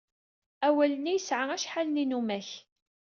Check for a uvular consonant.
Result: absent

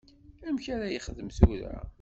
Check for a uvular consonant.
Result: present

